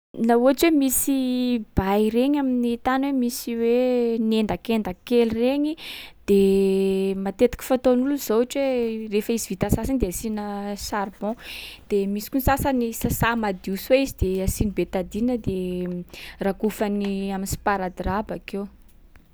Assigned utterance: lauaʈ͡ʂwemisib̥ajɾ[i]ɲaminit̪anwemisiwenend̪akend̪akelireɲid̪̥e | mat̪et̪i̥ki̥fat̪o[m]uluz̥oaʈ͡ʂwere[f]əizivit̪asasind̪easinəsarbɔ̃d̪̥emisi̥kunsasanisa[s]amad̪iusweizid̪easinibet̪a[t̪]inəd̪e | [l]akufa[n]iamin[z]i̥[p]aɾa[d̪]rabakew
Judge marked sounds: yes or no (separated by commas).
no, no, yes, yes, no, no, yes, no, yes, yes